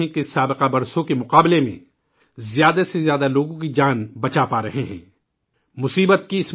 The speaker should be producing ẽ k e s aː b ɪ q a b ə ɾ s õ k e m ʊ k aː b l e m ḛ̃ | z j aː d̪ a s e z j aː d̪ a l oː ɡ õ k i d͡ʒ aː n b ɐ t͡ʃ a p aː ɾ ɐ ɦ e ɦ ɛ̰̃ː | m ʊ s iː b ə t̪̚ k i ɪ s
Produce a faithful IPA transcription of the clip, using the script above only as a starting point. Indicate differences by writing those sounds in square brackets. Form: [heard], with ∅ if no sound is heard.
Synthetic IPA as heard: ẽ k e s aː b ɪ q a b [ɐ] ɾ s õ k e m ʊ [q] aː b l e m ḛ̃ | z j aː d̪ a s e z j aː d̪ a l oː ɡ õ k i d͡ʒ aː n b ɐ t͡ʃ a p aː ɾ ɐ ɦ e ɦ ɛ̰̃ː | m ʊ s iː b ə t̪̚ k i ɪ s